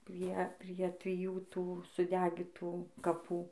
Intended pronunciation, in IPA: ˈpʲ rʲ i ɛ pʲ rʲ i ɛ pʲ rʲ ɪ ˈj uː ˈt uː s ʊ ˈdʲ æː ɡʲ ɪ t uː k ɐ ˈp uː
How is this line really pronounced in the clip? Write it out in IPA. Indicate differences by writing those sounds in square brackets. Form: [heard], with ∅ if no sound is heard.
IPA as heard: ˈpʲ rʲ i ɛ pʲ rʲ i ɛ [tʲ] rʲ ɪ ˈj uː ˈt uː s ʊ ˈdʲ æː ɡʲ ɪ t uː k ɐ ˈp uː